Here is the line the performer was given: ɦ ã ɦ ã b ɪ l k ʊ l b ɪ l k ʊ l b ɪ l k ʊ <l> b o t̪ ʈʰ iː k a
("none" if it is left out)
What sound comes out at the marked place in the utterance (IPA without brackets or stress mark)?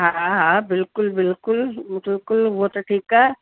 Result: l